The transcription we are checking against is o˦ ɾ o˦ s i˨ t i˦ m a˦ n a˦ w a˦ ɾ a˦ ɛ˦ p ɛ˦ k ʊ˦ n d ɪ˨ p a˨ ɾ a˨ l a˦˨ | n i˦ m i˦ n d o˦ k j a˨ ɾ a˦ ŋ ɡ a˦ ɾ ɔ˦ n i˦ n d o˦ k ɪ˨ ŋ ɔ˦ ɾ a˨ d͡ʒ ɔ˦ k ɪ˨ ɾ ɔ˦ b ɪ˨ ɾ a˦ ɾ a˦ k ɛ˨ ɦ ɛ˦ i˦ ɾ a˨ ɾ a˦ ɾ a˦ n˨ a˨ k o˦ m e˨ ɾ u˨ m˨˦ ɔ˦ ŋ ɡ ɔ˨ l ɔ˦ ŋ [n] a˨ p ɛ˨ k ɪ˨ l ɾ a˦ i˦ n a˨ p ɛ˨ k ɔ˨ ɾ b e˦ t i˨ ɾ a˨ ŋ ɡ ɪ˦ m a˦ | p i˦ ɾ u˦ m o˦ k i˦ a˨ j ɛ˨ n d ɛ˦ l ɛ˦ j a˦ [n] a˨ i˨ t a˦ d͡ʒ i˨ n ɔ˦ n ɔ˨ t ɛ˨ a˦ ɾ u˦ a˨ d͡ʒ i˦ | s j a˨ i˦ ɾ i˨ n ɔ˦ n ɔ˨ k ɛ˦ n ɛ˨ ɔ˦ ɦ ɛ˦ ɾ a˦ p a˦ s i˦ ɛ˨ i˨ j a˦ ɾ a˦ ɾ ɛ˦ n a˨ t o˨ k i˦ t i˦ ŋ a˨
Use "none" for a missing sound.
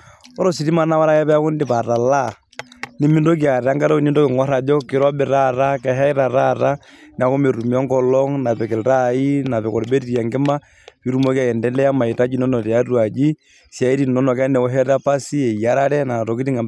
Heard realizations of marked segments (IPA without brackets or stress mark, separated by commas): n, m